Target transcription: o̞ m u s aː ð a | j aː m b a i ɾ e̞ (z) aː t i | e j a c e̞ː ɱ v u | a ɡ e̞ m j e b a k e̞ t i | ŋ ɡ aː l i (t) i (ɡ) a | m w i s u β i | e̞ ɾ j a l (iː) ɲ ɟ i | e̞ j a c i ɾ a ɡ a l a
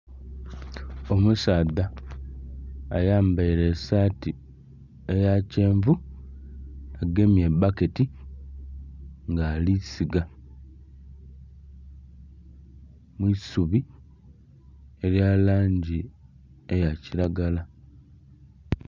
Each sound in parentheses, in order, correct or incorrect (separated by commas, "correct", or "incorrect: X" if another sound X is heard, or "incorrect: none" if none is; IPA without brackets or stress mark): incorrect: s, incorrect: s, correct, incorrect: aː